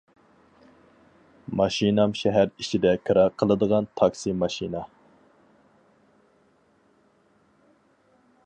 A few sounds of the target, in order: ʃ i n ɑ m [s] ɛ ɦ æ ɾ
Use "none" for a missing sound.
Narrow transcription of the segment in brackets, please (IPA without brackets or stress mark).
ʃ